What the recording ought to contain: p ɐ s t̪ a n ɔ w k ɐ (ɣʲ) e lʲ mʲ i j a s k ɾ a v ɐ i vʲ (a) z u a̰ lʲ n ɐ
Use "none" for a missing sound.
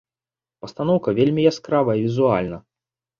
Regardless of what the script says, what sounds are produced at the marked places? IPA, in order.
vʲ, i

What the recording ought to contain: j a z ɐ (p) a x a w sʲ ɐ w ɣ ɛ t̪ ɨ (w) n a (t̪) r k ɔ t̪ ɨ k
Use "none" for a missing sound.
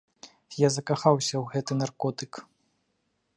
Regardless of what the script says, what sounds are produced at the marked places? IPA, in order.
k, none, none

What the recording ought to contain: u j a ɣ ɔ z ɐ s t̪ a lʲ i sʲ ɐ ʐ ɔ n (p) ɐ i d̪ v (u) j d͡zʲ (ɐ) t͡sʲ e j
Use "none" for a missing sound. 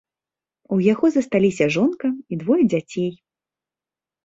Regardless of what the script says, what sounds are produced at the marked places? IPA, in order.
k, ɔ, a

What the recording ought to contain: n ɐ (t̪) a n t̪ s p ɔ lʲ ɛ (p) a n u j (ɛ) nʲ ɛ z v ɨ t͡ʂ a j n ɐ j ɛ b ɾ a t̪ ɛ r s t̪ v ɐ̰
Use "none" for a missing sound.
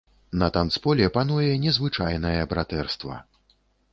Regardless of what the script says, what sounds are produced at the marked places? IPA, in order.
t̪, p, ɛ

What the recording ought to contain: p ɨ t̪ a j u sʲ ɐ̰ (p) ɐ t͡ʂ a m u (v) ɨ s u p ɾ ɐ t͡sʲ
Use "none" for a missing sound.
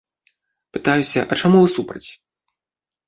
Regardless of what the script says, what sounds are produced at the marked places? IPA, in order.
ʔ, v

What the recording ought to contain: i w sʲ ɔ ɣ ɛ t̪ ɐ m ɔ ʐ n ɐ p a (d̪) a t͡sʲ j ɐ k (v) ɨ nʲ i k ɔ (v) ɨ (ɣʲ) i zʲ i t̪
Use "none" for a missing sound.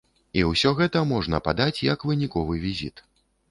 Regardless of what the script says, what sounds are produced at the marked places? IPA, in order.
d̪, v, v, vʲ

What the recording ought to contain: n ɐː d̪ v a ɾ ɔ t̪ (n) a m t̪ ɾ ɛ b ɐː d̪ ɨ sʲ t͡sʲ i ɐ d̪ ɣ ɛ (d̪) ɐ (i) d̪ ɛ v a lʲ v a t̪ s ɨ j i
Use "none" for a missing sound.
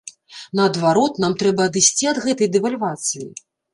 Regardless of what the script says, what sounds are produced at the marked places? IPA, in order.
n, t̪, j

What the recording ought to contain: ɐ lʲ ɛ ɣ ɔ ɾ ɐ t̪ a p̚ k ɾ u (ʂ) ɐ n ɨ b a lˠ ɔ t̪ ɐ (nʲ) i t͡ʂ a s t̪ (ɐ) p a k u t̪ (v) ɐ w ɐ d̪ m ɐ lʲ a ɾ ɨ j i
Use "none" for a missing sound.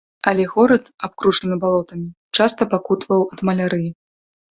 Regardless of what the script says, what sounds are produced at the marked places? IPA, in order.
ʂ, mʲ, ɐ, v

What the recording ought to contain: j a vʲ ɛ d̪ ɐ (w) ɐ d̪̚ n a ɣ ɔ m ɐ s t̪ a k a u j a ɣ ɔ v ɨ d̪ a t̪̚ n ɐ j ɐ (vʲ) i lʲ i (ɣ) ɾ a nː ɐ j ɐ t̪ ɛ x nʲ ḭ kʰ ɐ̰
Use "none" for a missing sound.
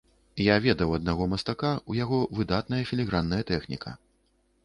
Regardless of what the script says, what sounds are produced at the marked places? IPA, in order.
w, fʲ, ɣ

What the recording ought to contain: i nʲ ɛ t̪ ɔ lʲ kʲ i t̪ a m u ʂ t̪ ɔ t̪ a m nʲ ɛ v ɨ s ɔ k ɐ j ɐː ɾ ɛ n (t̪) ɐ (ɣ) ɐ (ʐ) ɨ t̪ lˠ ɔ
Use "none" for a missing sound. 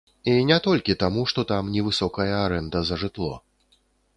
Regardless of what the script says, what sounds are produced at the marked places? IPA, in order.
d̪, z, ʐ

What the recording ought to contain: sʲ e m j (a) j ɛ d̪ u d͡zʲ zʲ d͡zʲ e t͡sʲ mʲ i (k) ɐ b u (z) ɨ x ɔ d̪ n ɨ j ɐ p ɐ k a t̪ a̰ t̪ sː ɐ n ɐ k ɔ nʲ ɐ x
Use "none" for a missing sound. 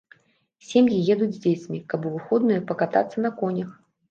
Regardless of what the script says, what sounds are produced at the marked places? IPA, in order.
i, k, v

